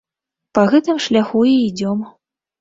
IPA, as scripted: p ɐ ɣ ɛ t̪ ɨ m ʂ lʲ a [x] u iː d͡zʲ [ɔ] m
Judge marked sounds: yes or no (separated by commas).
yes, yes